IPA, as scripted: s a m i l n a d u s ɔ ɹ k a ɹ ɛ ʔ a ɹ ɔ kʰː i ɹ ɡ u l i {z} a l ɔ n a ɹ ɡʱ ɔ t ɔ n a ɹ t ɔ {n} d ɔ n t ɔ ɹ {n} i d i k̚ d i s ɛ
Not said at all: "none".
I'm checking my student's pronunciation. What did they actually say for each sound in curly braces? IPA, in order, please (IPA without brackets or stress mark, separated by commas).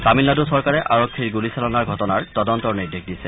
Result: s, none, n